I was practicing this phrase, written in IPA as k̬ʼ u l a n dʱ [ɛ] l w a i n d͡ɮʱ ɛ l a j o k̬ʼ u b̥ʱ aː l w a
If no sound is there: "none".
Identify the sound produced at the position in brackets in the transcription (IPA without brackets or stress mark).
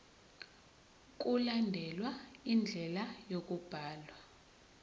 ɛ